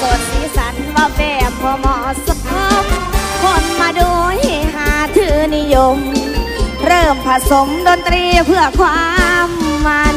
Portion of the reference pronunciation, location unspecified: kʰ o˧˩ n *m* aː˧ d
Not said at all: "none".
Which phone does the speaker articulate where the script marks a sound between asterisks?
m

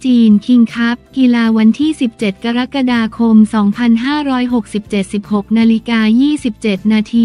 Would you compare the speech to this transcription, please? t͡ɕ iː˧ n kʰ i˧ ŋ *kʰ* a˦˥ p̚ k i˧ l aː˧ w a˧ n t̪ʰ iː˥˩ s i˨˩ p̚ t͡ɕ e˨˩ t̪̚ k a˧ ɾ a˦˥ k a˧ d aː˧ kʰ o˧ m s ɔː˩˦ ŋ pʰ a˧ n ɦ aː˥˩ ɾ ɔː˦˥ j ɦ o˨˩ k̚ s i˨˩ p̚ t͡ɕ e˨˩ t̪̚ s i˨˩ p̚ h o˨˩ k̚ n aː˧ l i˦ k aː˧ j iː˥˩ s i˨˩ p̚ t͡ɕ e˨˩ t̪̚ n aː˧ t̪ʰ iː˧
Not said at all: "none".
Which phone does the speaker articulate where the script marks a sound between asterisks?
kʰ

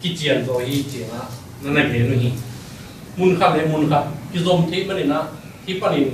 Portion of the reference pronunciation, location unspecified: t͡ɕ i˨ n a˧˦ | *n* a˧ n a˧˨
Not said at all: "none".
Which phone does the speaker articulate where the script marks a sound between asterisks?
n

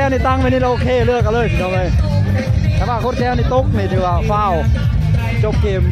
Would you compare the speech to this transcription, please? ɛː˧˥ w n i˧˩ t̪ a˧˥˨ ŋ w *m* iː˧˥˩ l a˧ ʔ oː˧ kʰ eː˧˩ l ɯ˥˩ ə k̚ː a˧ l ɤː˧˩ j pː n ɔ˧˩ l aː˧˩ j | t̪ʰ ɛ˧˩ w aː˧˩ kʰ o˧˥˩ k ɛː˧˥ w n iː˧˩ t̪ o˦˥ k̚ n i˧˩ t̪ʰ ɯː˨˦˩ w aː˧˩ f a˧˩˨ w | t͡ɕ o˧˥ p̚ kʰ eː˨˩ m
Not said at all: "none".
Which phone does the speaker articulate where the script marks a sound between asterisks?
n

